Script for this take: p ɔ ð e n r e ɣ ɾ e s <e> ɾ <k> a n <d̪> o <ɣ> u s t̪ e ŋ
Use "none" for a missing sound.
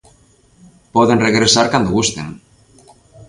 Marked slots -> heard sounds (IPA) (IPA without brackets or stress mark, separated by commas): a, k, d̪, ɣ